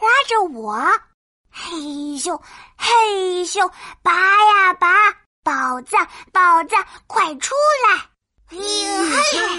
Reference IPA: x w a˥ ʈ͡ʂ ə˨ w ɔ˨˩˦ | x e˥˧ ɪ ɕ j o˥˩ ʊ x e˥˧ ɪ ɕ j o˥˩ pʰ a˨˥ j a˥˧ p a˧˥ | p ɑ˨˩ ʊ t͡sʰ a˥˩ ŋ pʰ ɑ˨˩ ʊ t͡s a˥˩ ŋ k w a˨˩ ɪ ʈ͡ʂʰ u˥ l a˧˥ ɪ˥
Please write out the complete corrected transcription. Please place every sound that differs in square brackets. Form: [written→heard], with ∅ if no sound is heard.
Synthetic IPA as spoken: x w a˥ ʈ͡ʂ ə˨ w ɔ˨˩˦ | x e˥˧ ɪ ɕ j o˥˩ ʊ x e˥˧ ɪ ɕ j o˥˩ [pʰ→p] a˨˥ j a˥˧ p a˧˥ | p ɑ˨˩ ʊ [t͡sʰ→t͡s] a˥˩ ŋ [pʰ→p] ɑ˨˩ ʊ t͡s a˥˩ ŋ [k→kʰ] w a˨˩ ɪ ʈ͡ʂʰ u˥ l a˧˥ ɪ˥